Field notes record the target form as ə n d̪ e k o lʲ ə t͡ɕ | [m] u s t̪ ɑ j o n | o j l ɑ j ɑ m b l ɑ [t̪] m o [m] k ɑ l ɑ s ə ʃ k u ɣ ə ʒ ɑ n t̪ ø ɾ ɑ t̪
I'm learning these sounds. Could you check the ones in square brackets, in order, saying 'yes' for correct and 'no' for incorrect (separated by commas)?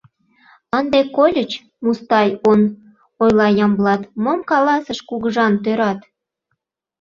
yes, yes, yes